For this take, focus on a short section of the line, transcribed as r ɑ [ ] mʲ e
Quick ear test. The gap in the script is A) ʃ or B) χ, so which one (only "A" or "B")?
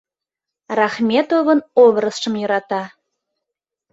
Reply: B